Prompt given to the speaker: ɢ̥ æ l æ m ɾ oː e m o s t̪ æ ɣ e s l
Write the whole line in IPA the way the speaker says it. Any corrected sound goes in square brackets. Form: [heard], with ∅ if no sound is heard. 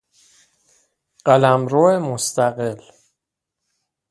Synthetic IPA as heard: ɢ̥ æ l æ m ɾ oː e m o s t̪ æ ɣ e [∅] l